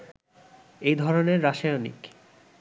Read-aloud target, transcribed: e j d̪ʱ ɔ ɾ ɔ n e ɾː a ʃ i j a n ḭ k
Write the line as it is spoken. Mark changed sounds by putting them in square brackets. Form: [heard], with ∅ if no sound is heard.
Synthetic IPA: e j d̪ʱ ɔ ɾ [o] n e ɾː a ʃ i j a n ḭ k